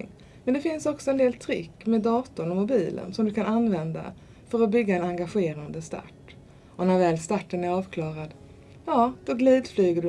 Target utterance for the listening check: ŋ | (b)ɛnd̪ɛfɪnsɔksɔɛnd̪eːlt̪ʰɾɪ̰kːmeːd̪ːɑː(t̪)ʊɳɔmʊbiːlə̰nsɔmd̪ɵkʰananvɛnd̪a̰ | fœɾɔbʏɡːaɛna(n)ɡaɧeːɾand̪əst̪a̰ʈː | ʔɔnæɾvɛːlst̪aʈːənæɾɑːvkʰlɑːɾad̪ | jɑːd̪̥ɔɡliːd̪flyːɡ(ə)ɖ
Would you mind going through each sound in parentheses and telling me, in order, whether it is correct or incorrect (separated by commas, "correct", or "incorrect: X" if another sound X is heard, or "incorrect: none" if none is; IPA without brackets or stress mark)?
incorrect: m, correct, incorrect: ŋ, correct